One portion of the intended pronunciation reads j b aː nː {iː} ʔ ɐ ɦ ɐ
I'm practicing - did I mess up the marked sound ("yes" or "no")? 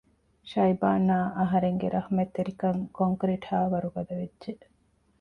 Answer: yes